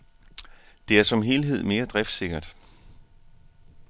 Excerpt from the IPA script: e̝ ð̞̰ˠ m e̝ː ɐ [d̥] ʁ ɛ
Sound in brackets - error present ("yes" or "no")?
no